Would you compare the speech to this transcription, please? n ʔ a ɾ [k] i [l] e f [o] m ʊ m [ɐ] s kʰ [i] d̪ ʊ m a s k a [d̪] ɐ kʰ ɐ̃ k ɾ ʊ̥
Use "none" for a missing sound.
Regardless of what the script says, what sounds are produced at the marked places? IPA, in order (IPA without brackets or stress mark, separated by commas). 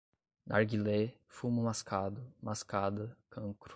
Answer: ɡ, l, u, a, a, d̪